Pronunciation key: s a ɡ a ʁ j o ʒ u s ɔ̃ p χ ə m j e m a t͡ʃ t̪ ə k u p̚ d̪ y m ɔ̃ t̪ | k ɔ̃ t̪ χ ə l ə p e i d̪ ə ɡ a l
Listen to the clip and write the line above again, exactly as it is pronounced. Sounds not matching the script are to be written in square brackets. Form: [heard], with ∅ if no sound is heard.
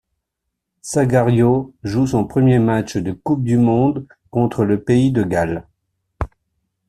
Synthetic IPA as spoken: s a ɡ a ʁ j o ʒ u s ɔ̃ p χ ə m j e m a t͡ʃ [d̪] ə k u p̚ d̪ y m ɔ̃ [d̪] | k ɔ̃ t̪ χ ə l ə p e i d̪ ə ɡ a l